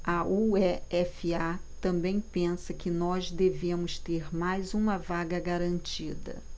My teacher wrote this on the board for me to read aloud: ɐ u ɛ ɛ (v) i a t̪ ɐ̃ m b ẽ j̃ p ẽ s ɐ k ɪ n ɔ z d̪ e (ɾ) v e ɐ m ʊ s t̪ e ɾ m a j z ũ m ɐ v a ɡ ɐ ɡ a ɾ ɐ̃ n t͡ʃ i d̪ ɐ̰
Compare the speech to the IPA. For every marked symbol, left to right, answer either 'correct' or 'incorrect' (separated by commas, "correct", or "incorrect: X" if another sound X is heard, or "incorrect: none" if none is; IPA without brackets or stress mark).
incorrect: f, incorrect: none